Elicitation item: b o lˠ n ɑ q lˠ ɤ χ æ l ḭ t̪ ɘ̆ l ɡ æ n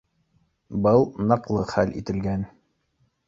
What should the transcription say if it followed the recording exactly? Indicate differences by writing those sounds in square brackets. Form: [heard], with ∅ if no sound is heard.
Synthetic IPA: b [ɤ] lˠ n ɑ q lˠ ɤ χ æ l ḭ t̪ ɘ̆ l ɡ æ n